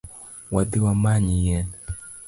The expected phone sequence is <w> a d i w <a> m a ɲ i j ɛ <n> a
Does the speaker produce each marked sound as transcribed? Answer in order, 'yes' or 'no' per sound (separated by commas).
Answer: yes, yes, yes